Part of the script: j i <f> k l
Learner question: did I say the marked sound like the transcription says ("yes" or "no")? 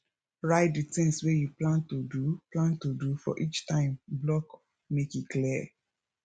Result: no